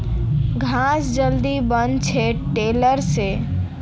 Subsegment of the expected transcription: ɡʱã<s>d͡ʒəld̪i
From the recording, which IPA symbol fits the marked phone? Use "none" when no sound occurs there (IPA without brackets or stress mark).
s